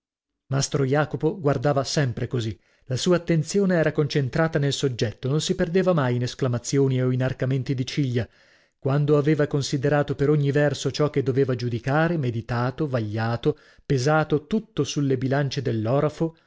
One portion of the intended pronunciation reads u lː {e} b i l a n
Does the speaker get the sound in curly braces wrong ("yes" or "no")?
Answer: no